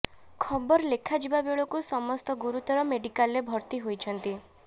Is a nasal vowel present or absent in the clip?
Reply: absent